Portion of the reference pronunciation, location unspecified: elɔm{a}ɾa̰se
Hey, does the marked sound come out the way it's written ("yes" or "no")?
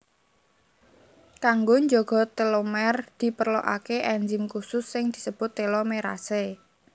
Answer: no